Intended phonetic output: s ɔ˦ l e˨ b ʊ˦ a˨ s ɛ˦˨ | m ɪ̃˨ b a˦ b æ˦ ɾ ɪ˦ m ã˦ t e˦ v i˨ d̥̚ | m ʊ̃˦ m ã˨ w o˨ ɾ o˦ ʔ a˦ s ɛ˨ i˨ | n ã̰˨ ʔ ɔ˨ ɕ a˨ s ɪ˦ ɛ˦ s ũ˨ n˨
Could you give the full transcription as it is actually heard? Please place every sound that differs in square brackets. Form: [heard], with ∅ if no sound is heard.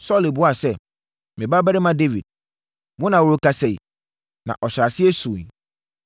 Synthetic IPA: s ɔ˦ l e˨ b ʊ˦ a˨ s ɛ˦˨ | m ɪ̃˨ b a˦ b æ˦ ɾ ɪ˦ m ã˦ [d] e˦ v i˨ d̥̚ | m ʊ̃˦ [n] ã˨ w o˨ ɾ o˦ [k] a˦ s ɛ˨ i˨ | n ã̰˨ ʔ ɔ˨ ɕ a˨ s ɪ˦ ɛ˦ s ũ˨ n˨